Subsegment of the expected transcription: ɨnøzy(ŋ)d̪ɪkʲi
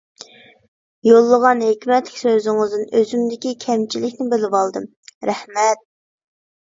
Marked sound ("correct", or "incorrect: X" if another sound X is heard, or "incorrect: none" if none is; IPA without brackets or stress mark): incorrect: m